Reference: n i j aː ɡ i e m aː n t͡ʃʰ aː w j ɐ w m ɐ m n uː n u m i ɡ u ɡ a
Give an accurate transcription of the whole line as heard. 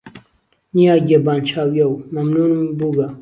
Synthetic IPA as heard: n i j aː ɡ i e b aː n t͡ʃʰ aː w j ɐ w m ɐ m n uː n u m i b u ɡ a